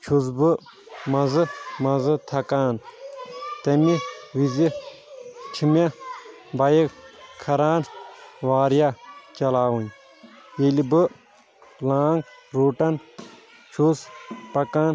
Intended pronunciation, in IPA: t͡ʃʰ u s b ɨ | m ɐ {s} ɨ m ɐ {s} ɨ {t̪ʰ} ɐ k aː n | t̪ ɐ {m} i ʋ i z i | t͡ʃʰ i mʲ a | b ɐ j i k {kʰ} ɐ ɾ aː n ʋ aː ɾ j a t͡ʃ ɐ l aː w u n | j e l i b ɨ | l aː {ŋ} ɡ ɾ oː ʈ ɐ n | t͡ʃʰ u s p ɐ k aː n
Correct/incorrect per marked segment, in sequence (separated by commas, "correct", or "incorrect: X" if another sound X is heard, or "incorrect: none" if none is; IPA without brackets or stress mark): incorrect: z, incorrect: z, correct, correct, correct, correct